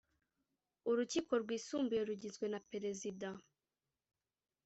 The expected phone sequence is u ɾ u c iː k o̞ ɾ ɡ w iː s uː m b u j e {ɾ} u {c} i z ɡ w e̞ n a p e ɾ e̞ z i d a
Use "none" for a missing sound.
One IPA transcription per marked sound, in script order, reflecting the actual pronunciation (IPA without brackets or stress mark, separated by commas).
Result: ɾ, ɟ